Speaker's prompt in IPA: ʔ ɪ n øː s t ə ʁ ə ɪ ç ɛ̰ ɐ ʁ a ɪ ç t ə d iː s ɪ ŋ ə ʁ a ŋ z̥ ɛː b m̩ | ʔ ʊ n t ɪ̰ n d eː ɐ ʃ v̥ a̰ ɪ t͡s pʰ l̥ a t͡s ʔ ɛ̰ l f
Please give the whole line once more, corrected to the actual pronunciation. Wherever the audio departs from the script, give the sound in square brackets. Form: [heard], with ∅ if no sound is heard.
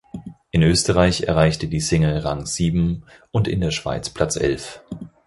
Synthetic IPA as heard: ʔ ɪ n øː s t ə ʁ [a] ɪ ç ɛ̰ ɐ ʁ a ɪ ç t ə d iː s ɪ ŋ ə ʁ a ŋ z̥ [iː] b m̩ | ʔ ʊ n t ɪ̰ n d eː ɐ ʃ v̥ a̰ ɪ t͡s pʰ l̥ a t͡s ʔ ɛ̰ l f